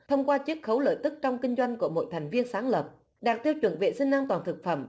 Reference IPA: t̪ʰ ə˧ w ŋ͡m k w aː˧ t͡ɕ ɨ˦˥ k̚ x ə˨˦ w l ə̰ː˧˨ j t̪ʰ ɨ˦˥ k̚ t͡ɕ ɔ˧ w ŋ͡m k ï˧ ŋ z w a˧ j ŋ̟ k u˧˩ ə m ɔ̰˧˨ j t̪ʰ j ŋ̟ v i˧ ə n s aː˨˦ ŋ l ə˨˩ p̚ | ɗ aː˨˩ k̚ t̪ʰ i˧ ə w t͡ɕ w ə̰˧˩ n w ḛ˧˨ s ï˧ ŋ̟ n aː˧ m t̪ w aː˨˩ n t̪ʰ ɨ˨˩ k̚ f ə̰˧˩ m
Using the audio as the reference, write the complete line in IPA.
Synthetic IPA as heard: t̪ʰ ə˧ w ŋ͡m k w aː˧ t͡ɕ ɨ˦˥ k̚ x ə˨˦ w l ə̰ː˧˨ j t̪ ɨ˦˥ k̚ t͡ɕ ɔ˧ w ŋ͡m k ï˧ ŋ z w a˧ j ŋ̟ k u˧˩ ə m o̰˧˨ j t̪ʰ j ŋ̟ v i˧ ə n s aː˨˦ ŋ l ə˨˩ p̚ | ɗ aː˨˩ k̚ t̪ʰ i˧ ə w t͡ɕ w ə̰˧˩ n v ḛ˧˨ s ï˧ ŋ̟ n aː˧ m t̪ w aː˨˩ n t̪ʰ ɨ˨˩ k̚ f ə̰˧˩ m